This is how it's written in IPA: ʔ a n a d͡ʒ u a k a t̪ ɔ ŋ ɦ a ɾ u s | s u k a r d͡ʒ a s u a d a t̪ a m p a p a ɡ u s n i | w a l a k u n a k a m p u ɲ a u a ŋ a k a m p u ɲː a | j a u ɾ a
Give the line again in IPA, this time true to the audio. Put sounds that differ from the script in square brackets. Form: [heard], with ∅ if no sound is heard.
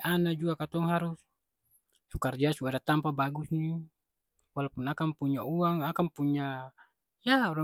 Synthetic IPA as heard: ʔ a n a d͡ʒ u a k a t̪ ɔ ŋ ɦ a ɾ u s | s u k a r d͡ʒ a s u a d a t̪ a m p a [b] a ɡ u s n i | w a l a [p] u n a k a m p u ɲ a u a ŋ a k a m p u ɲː a | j a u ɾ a